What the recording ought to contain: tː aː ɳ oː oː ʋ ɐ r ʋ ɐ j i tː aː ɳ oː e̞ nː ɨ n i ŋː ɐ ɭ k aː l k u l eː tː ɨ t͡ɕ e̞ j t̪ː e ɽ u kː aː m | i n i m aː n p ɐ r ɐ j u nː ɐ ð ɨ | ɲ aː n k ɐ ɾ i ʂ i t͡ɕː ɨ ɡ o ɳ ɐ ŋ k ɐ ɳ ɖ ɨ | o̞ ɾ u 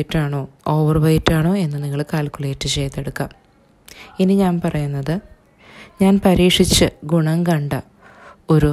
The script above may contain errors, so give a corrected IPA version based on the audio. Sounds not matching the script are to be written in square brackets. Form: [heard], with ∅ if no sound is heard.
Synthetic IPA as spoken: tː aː ɳ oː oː ʋ ɐ r ʋ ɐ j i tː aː ɳ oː e̞ nː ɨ n i ŋː ɐ ɭ k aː l k u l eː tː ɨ t͡ɕ e̞ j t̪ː e ɽ u kː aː m | i n i [ɲ] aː n p ɐ r ɐ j u nː ɐ ð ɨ | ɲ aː n [p] ɐ ɾ [iː] ʂ i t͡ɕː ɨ ɡ [u] ɳ ɐ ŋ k ɐ ɳ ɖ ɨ | o̞ ɾ u